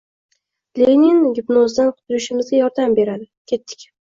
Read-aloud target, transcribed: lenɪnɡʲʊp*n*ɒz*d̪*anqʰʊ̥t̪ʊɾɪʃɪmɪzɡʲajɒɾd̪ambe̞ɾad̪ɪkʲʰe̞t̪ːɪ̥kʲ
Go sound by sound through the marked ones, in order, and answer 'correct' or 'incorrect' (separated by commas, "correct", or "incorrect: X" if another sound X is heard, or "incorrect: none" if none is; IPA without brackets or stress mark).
correct, correct